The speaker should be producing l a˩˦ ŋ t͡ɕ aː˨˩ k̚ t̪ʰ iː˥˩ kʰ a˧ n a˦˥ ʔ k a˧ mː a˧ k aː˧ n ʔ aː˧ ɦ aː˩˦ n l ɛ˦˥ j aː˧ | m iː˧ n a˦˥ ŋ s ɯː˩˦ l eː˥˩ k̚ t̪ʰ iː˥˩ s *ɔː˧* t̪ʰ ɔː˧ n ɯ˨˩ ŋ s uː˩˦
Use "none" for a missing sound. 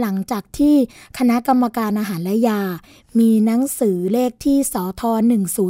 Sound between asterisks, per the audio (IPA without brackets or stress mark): ɔː˩˦